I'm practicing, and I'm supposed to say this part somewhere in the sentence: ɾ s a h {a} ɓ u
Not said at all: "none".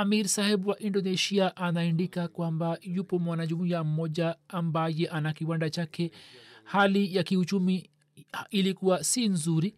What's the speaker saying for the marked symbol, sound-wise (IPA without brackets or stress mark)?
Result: ɛ